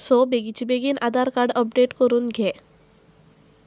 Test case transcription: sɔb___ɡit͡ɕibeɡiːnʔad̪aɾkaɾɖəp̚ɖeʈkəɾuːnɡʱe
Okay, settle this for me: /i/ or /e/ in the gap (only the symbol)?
e